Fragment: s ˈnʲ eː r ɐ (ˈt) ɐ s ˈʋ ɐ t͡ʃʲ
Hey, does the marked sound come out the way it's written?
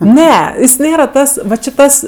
yes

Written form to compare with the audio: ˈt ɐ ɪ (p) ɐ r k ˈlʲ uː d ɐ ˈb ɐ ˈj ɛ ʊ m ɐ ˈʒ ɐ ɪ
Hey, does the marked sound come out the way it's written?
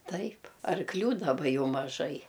yes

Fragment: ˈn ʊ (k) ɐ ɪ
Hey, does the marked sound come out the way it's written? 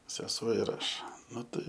no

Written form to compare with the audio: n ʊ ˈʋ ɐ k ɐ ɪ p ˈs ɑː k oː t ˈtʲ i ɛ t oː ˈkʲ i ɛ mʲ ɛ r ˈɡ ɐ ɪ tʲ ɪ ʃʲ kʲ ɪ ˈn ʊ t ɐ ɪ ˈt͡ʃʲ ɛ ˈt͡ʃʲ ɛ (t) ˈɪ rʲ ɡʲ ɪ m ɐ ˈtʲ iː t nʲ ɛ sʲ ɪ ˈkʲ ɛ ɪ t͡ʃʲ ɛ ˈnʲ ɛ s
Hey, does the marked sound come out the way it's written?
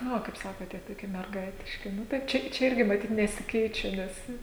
no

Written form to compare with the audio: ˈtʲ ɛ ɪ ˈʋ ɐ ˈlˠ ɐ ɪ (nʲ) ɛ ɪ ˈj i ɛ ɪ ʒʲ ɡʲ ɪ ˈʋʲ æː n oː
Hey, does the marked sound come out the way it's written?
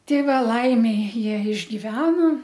no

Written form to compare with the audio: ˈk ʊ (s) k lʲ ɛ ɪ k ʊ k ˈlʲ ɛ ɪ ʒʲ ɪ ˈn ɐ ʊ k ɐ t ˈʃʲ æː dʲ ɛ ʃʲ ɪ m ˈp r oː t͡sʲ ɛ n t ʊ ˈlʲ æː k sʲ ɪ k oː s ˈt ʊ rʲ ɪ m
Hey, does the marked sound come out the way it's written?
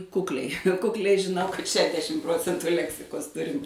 no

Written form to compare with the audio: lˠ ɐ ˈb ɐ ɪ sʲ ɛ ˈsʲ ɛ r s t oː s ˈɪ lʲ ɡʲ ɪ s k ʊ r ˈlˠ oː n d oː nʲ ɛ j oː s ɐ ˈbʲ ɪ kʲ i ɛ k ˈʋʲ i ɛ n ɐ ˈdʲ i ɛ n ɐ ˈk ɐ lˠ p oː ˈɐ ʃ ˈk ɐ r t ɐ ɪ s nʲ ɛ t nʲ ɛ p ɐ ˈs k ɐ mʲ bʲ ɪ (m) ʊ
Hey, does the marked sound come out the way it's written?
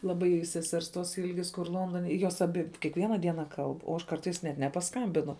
no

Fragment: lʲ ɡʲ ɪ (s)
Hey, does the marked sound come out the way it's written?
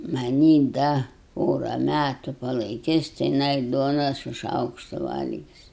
yes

